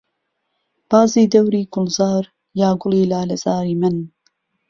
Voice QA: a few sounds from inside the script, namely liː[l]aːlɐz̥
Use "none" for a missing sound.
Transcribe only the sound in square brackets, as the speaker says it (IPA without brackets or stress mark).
l